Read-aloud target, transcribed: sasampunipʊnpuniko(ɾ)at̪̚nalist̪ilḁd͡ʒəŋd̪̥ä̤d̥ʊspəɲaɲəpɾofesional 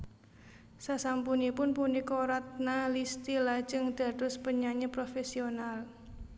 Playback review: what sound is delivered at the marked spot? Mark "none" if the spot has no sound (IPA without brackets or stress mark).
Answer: ɾ